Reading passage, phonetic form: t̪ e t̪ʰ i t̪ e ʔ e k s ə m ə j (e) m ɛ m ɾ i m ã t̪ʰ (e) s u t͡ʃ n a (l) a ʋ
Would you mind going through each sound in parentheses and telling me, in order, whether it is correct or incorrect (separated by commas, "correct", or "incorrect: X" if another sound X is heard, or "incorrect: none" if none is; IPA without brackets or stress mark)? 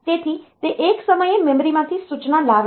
correct, incorrect: i, correct